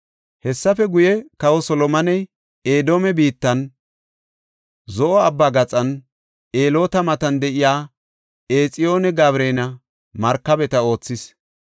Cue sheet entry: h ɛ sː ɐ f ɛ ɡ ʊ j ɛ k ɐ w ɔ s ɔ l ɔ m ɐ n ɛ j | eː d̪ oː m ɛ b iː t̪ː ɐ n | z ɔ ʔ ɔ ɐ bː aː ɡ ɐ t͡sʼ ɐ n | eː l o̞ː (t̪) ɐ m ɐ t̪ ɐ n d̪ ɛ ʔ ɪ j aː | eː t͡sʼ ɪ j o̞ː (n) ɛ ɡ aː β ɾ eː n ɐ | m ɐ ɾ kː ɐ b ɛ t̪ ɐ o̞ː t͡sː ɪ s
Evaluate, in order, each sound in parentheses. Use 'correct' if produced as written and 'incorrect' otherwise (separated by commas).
correct, correct